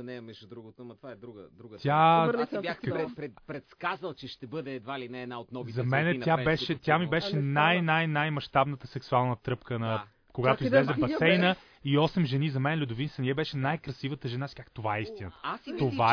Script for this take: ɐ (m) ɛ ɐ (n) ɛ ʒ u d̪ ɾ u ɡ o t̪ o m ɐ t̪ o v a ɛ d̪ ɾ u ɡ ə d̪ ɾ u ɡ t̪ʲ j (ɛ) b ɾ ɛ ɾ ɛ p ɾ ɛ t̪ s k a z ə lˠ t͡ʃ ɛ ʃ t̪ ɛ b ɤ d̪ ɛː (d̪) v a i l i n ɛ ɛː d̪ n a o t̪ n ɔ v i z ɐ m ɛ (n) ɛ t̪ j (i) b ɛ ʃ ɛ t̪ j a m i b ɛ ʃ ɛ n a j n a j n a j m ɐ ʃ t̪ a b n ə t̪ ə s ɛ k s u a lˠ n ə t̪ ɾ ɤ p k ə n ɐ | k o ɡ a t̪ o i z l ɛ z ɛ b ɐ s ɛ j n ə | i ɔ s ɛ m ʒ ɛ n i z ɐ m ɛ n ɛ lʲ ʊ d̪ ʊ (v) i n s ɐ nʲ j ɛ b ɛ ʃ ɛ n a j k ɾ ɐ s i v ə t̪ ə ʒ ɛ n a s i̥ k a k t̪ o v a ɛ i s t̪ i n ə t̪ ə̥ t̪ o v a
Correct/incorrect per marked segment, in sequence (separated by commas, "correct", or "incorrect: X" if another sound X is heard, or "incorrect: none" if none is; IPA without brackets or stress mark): incorrect: n, incorrect: m, incorrect: a, correct, correct, incorrect: a, correct